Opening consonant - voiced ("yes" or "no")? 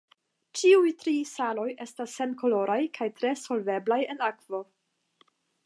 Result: no